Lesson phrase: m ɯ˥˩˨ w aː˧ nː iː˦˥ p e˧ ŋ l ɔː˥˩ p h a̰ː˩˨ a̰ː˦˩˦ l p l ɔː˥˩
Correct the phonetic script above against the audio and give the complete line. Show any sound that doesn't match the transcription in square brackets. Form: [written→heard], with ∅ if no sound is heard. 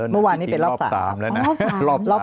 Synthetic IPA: m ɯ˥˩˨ w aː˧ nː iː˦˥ p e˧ [ŋ→n] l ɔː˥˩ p [h→s] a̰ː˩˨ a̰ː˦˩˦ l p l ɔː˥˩